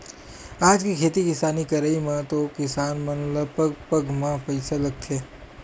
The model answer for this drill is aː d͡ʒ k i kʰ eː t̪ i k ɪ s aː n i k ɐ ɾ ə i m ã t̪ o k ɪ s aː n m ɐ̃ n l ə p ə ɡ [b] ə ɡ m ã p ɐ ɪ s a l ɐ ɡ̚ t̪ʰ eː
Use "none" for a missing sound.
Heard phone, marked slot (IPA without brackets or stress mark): p